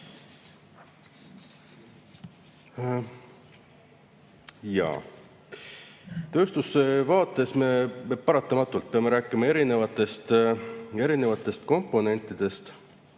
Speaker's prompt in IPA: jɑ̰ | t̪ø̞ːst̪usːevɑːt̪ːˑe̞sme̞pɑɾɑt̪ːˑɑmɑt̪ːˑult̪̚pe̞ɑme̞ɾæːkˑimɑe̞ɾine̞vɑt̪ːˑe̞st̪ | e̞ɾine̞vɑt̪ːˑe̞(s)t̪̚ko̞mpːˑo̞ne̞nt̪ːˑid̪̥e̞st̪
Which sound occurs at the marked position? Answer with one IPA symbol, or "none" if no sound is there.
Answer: s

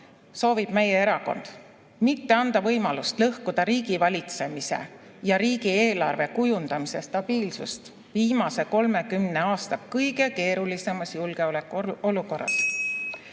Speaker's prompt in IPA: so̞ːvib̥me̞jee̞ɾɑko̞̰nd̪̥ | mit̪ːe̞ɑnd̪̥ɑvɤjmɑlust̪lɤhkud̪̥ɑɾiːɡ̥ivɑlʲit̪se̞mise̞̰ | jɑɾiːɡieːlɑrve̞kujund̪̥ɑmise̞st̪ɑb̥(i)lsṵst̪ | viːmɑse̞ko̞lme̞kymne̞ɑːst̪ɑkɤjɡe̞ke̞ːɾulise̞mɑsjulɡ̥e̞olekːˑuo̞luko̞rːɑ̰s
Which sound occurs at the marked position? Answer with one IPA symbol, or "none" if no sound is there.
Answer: iː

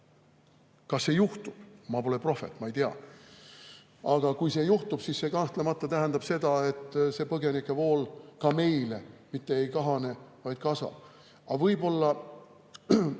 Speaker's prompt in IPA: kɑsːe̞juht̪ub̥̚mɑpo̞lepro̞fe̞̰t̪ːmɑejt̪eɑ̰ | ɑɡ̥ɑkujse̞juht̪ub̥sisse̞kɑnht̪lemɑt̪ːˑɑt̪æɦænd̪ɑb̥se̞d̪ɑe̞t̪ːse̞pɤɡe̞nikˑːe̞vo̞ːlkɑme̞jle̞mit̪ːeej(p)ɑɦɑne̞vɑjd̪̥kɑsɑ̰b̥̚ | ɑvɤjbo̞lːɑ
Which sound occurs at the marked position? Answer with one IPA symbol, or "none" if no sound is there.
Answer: k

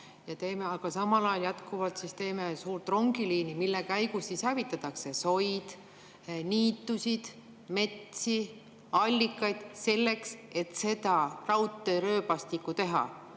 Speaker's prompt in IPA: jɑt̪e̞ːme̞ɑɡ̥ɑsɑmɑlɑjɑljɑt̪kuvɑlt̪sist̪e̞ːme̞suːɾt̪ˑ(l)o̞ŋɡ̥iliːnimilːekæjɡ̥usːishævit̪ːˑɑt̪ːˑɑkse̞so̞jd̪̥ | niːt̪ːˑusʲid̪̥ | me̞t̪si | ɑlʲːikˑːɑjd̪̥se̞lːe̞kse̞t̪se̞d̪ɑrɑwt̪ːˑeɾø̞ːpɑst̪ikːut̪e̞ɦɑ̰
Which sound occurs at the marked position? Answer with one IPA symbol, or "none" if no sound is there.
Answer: r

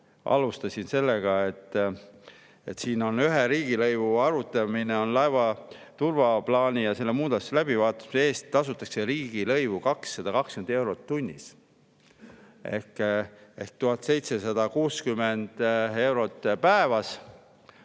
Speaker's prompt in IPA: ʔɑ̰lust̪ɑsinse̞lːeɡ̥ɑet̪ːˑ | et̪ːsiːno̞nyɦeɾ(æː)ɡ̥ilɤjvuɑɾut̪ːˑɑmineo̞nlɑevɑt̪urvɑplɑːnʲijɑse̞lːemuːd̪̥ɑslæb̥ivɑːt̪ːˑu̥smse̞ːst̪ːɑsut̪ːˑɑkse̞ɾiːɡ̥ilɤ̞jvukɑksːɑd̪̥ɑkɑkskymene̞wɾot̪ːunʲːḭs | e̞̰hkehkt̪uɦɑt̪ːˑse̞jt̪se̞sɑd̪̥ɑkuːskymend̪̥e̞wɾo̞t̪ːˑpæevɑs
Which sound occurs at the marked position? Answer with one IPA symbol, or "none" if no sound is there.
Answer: iː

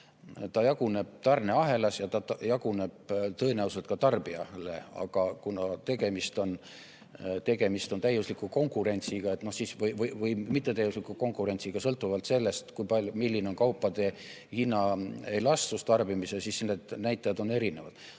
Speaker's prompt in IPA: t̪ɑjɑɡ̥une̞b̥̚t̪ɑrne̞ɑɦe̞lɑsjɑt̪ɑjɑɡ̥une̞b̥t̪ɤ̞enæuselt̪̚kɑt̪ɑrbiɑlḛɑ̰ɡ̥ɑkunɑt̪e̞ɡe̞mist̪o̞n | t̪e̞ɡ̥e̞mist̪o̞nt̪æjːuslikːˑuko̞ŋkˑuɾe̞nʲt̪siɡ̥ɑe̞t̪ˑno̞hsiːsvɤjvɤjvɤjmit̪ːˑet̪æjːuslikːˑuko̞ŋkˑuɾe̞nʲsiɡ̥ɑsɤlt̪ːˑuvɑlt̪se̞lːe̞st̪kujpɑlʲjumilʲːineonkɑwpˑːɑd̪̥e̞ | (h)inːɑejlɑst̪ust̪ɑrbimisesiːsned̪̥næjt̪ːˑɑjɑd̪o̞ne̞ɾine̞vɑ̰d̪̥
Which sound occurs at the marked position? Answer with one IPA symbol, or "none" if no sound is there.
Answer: h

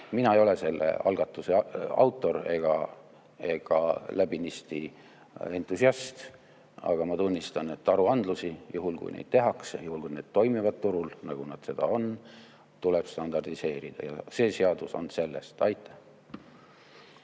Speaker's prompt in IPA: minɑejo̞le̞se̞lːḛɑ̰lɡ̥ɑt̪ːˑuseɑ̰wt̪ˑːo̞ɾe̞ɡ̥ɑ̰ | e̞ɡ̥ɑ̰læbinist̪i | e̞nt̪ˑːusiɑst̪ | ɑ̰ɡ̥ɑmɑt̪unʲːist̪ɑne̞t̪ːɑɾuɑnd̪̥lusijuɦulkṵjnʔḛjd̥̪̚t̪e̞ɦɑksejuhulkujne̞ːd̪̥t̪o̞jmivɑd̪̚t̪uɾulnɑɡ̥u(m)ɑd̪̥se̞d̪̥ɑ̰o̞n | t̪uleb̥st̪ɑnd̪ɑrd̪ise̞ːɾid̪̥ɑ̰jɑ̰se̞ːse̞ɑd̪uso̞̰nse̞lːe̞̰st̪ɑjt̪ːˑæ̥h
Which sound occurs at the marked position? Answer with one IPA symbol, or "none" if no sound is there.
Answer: n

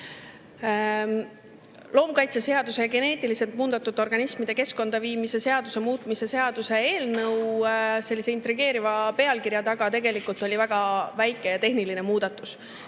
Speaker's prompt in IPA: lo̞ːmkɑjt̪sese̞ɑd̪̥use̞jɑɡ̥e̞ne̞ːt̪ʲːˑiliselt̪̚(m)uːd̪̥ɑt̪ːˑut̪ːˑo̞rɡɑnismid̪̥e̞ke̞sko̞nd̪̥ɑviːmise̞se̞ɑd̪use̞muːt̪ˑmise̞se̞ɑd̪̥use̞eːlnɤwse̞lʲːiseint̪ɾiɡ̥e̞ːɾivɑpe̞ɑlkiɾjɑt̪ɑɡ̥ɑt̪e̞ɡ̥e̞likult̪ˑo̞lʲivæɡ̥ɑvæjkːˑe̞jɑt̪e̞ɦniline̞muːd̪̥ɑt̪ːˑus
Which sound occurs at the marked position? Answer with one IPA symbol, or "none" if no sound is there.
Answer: m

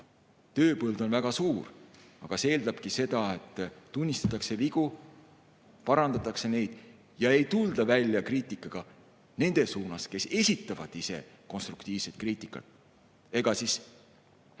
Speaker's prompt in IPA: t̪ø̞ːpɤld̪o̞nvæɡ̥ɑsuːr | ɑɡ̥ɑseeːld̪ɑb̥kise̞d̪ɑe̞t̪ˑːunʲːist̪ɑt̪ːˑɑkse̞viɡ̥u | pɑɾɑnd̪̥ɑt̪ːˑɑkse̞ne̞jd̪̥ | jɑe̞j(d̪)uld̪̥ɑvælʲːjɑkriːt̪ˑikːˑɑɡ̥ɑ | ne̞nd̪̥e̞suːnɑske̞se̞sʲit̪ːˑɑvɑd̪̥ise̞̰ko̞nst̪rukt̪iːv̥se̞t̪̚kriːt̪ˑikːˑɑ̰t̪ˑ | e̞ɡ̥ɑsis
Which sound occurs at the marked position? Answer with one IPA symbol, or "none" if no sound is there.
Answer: t̪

